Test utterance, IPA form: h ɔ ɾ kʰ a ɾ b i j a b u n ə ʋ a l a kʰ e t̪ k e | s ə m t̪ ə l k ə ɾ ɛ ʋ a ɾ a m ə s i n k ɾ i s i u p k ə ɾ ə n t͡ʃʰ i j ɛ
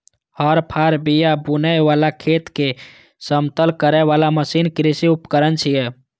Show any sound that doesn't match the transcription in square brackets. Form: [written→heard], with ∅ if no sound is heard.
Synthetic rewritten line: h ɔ ɾ [kʰ→pʰ] a ɾ b i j a b u n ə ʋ a l a kʰ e t̪ k e | s ə m t̪ ə l k ə ɾ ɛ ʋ a [ɾ→l] a m ə s i n k ɾ i s i u p k ə ɾ ə n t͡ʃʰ i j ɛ